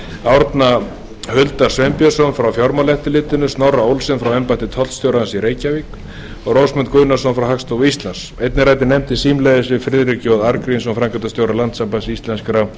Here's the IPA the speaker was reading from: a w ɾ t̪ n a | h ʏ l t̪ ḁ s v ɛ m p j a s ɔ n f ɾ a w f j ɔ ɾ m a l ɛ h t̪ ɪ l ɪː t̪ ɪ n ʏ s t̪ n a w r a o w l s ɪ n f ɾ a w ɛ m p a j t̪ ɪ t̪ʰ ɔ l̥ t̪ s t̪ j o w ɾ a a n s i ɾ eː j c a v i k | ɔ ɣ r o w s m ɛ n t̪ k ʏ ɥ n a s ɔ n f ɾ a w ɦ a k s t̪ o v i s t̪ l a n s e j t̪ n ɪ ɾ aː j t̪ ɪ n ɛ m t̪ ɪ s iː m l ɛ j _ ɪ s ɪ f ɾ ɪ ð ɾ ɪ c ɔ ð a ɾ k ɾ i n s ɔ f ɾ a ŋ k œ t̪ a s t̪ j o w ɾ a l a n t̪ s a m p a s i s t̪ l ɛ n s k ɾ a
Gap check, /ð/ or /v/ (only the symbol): ð